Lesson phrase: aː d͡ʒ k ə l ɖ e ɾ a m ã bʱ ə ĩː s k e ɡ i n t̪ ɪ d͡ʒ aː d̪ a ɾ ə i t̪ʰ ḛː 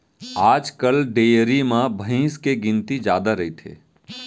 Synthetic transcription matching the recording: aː d͡ʒ k ə l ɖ e ɾ i m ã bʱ ə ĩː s k e ɡ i n t̪ i d͡ʒ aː d̪ a ɾ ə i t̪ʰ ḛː